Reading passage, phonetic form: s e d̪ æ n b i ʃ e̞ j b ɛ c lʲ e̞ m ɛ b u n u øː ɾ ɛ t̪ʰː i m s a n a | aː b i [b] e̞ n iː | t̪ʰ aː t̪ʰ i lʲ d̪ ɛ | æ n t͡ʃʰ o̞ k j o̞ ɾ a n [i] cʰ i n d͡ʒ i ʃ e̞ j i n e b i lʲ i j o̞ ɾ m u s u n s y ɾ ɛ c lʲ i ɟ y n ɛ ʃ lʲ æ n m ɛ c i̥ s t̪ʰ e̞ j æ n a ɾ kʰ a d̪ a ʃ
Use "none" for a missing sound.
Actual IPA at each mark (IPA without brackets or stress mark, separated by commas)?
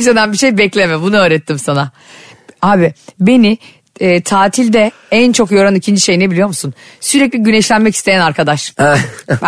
b, i